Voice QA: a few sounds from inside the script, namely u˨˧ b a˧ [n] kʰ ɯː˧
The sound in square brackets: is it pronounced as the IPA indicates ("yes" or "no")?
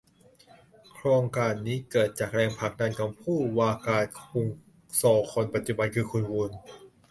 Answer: yes